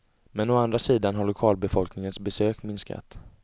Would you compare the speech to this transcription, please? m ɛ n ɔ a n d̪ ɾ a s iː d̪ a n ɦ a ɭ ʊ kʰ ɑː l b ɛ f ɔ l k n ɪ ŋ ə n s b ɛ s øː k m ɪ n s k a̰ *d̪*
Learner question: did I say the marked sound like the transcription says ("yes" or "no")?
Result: no